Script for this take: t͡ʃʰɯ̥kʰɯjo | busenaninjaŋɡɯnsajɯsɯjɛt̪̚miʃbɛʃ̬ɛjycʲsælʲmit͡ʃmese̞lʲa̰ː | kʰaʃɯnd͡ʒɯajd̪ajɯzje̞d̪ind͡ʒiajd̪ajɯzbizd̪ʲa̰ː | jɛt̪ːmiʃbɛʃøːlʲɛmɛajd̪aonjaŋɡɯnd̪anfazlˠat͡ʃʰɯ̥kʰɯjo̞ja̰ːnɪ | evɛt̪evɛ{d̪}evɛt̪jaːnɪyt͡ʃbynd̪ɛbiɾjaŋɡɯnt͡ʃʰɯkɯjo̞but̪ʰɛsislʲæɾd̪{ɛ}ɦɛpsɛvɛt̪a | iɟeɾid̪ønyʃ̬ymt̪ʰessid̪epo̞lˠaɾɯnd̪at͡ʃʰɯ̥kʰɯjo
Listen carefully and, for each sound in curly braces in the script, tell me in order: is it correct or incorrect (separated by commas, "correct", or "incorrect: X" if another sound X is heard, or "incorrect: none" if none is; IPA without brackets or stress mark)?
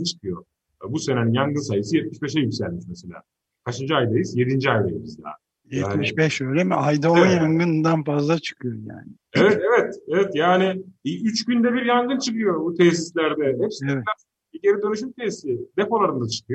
incorrect: t̪, correct